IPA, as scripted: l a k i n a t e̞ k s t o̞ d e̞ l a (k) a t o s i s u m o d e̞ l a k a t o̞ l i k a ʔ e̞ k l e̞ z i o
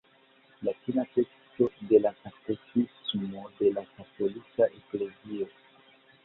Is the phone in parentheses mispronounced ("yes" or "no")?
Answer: no